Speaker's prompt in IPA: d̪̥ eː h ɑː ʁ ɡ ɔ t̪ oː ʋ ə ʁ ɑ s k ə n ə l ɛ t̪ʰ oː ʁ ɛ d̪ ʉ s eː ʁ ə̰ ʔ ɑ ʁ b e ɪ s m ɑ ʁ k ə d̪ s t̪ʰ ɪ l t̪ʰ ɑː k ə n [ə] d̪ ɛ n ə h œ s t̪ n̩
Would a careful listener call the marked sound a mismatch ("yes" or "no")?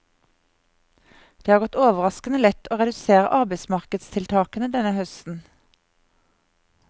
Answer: no